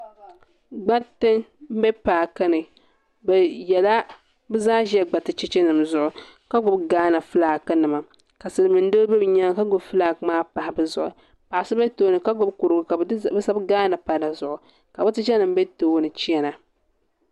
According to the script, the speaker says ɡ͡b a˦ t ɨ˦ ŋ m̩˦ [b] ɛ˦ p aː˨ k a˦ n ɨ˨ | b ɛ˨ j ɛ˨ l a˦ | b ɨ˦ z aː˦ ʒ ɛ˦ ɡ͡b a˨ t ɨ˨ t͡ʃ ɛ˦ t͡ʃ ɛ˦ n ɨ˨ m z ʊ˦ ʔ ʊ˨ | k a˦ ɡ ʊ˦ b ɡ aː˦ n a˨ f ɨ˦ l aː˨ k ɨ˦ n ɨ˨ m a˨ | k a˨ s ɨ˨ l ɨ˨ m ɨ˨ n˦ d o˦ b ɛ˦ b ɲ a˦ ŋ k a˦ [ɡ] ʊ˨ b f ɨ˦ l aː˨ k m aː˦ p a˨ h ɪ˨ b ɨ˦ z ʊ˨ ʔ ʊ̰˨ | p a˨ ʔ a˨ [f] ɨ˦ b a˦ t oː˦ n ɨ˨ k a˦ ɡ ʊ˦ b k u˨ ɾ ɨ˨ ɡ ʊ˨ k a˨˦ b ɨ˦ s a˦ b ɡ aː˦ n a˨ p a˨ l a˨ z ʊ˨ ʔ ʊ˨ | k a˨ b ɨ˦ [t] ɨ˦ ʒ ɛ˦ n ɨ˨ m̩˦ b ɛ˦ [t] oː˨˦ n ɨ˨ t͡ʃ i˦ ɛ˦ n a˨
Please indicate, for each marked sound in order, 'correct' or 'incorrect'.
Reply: correct, correct, incorrect, correct, correct

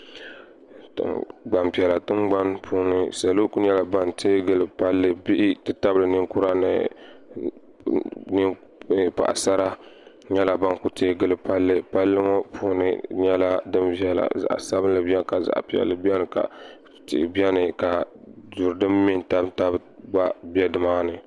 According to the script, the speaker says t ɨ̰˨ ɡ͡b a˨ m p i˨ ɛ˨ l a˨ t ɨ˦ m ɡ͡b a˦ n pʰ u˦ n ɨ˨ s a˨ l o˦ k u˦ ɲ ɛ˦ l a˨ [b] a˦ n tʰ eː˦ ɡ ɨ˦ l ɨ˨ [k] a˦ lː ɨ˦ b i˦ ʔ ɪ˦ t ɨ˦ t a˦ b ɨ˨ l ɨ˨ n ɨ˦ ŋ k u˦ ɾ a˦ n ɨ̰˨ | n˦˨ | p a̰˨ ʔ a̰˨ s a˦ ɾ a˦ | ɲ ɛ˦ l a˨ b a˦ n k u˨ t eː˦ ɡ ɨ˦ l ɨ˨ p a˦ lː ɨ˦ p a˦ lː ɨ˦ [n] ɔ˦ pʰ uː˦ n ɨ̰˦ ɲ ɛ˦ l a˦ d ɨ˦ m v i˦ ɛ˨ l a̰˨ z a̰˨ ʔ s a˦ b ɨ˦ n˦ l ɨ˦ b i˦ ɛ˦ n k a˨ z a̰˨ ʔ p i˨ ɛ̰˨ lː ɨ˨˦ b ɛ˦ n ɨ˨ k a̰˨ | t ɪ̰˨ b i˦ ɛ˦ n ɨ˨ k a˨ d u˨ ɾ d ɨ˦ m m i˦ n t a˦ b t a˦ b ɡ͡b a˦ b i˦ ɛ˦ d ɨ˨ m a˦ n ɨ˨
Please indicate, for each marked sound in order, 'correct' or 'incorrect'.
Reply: correct, incorrect, incorrect

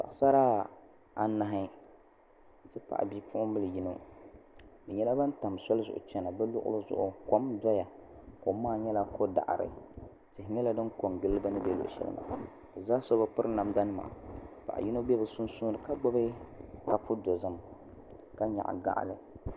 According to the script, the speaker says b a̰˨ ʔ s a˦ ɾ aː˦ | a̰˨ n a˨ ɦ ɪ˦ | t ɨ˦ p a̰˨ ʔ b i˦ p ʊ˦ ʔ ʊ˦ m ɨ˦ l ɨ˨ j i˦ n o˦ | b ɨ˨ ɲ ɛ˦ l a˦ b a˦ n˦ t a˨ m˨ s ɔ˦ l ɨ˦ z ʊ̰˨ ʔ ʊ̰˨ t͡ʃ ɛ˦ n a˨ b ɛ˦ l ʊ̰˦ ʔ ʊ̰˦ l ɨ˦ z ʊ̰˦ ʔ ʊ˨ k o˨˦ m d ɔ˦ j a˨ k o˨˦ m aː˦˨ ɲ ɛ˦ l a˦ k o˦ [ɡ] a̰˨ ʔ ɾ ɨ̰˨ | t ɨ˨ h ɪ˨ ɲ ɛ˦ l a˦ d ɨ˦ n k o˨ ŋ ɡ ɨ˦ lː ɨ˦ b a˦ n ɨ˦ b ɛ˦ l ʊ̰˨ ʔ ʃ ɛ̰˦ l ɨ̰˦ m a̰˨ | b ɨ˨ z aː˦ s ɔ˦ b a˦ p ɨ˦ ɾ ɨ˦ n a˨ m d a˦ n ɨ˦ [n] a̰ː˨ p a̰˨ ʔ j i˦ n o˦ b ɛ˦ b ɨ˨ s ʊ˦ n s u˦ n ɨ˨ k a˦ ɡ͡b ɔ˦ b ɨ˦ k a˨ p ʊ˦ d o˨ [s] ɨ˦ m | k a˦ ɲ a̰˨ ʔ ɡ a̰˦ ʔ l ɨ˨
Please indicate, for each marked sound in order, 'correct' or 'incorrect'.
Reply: incorrect, incorrect, incorrect

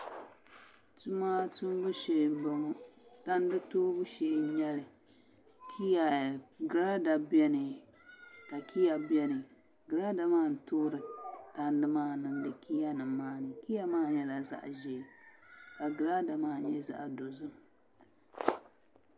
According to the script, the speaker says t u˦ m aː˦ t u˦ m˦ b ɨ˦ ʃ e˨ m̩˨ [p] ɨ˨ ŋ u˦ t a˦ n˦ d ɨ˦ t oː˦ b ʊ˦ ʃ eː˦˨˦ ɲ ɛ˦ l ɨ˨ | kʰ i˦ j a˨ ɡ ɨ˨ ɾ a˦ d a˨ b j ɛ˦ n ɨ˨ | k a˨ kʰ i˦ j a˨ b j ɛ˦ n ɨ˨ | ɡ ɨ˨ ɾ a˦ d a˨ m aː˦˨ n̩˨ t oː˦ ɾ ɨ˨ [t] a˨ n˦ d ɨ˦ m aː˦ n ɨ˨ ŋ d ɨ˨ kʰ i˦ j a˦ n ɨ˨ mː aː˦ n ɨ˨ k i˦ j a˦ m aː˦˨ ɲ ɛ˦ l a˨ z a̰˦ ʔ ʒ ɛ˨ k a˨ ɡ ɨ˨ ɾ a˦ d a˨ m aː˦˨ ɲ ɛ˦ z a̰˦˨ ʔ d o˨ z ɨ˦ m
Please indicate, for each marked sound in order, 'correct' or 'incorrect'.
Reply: incorrect, correct

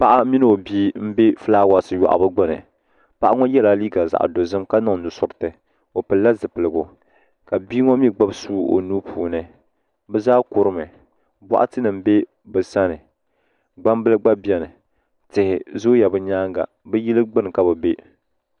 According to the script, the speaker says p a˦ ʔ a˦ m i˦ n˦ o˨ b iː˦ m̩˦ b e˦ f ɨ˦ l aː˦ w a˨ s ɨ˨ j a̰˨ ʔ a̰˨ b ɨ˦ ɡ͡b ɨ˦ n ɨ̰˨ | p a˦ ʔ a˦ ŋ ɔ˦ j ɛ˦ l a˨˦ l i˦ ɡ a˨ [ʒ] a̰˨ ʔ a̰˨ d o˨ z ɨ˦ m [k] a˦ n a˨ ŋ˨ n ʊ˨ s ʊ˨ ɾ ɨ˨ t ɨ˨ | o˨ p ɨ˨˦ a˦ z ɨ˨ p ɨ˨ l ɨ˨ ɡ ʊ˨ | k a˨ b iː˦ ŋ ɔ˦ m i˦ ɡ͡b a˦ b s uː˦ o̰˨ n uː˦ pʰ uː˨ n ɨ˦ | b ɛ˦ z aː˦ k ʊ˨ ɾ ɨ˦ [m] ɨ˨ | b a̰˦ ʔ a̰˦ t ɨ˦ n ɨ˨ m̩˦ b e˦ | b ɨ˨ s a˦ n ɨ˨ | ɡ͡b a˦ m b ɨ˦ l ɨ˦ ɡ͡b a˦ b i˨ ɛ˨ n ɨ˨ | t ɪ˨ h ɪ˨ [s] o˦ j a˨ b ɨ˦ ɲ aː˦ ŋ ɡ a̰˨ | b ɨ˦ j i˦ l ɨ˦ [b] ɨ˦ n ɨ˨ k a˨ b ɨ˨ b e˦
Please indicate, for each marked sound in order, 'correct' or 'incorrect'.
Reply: incorrect, correct, correct, incorrect, incorrect

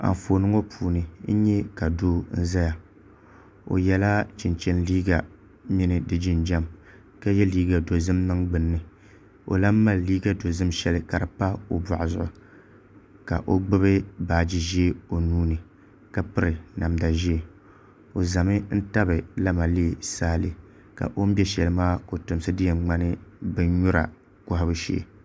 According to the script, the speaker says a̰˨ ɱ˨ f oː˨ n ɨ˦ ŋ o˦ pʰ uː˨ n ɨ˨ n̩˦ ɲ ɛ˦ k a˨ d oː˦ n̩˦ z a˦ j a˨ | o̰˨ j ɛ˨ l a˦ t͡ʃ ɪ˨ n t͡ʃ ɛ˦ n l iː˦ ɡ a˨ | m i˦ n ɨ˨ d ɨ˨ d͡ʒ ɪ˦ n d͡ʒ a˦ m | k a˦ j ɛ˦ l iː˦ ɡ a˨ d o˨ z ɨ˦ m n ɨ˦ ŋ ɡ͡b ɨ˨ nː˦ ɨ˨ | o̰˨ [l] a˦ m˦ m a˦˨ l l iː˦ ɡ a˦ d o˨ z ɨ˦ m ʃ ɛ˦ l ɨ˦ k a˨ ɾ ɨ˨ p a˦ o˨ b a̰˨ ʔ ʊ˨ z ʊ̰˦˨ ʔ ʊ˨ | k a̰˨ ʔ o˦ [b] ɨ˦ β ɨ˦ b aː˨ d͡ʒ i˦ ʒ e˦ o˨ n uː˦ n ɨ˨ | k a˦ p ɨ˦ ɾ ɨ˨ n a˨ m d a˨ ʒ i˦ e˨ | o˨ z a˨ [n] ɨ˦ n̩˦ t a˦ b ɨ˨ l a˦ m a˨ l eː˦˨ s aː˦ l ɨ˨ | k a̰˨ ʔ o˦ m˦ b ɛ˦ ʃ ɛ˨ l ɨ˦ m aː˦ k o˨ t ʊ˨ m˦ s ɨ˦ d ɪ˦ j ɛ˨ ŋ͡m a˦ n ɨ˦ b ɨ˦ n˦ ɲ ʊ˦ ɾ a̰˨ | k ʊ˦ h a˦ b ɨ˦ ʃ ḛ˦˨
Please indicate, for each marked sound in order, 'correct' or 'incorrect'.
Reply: correct, incorrect, incorrect

